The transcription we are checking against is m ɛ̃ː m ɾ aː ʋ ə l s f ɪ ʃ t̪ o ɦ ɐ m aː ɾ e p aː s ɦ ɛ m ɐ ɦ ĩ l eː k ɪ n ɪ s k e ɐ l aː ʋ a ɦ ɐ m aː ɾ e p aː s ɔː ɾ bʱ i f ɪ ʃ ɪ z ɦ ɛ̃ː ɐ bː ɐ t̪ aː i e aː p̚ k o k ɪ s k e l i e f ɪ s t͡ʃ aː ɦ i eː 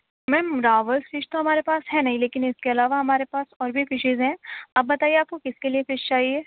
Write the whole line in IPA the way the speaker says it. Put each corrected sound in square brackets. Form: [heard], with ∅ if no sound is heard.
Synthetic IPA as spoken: m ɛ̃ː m ɾ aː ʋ ə l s f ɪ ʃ t̪ o ɦ ɐ m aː ɾ e p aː s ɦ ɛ [n] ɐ ɦ ĩ l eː k ɪ n ɪ s k e ɐ l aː ʋ a ɦ ɐ m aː ɾ e p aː s ɔː ɾ bʱ i f ɪ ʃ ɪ z ɦ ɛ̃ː ɐ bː ɐ t̪ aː i e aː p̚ k o k ɪ s k e l i e f ɪ [ʃ] t͡ʃ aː ɦ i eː

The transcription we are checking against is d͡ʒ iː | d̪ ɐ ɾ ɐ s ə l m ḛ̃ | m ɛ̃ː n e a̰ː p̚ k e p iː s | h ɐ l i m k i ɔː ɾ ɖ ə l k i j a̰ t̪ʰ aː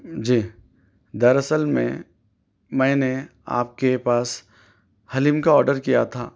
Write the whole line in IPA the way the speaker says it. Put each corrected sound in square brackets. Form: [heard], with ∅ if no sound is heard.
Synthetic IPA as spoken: d͡ʒ iː | d̪ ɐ ɾ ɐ s ə l m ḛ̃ | m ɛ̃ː n e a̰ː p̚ k e p [aː] s | h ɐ l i m k [a] ɔː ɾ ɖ ə [ɾ] k i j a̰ t̪ʰ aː

